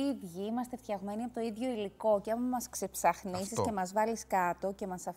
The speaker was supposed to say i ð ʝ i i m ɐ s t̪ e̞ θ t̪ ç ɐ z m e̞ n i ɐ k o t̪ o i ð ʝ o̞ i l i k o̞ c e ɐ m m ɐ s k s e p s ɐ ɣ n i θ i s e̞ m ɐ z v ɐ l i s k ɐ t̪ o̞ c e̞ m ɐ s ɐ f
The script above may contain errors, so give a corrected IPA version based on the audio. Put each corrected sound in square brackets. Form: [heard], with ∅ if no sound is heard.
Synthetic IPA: i ð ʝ i i m ɐ s t̪ e̞ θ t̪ ç ɐ [ɣ] m e̞ n i ɐ [p] o t̪ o i ð ʝ o̞ i l i k o̞ c e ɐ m m ɐ s k s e p s ɐ [x] n i [s] i s e̞ m ɐ z v ɐ l i s k ɐ t̪ o̞ c e̞ m ɐ s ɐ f